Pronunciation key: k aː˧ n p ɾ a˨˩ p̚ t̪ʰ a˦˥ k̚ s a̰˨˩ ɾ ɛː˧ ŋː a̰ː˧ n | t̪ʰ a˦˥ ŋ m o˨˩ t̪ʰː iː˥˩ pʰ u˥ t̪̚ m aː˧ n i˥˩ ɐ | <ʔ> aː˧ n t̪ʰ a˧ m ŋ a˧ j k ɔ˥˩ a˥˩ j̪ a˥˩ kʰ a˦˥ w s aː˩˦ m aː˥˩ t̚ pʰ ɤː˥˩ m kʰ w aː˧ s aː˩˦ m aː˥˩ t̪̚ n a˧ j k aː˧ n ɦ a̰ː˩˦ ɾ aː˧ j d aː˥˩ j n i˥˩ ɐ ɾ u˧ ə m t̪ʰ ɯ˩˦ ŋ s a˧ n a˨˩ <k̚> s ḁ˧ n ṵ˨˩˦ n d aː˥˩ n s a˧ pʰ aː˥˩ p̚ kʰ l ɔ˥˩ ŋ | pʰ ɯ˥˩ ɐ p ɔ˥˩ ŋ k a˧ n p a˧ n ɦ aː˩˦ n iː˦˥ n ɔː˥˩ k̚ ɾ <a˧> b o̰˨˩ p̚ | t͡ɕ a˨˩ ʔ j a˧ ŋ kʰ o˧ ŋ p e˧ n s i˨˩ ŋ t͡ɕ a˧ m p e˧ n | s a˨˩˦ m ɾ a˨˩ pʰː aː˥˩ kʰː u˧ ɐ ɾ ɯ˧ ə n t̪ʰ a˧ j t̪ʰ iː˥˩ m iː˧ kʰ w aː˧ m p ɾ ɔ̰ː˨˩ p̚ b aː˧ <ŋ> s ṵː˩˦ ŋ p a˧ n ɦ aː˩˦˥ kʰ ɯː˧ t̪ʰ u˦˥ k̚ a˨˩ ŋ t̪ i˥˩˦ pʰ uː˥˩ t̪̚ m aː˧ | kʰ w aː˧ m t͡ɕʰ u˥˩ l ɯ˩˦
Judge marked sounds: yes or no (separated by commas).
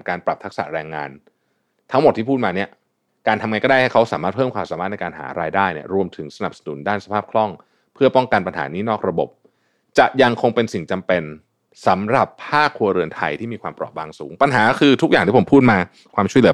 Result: no, no, yes, yes